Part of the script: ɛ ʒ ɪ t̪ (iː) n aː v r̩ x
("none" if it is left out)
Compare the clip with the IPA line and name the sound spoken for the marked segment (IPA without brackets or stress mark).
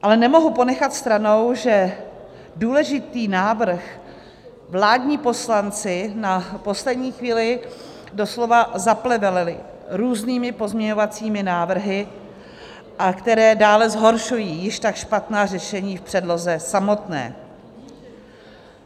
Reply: iː